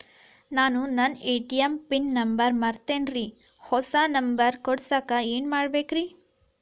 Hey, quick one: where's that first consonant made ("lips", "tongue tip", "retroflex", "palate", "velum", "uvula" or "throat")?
tongue tip